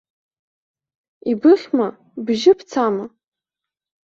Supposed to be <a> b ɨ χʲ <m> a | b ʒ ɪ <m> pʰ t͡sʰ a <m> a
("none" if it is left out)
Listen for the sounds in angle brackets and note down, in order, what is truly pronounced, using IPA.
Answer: i, m, none, m

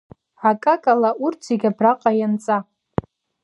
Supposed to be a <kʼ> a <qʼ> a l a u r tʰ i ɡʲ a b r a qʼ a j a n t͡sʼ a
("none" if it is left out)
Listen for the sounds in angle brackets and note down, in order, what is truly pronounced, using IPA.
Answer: kʼ, kʼ

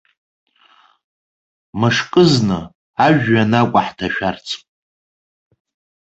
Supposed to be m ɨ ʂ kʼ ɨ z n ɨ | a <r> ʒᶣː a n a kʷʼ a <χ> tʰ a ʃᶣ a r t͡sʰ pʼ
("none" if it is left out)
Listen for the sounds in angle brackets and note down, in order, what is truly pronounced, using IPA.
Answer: none, ħ

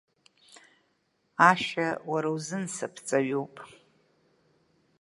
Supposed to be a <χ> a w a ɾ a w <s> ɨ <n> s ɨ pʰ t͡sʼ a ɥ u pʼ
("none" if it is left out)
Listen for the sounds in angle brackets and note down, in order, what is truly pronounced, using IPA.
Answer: ʃ, z, n

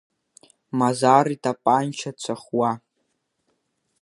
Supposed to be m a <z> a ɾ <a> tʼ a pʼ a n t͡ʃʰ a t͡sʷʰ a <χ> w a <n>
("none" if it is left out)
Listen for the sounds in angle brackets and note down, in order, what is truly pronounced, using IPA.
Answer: z, i, χ, none

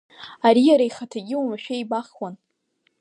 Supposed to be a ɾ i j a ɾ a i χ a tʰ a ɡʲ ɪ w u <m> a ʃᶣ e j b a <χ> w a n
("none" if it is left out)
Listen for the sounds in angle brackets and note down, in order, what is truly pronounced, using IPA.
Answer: m, χ

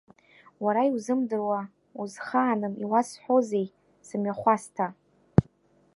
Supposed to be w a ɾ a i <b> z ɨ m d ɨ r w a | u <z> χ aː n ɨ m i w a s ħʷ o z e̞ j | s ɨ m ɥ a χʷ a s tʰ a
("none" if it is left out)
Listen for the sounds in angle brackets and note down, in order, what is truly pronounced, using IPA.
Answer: w, z

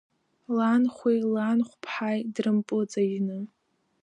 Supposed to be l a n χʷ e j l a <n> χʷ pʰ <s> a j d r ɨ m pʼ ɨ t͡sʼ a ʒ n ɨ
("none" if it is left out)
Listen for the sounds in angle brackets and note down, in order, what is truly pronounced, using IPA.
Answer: n, ħ

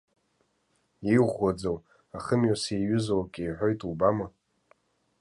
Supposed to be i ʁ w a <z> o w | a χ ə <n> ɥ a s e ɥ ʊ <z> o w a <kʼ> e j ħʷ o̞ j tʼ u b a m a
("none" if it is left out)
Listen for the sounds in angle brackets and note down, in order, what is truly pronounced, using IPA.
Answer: d͡z, m, z, kʼ

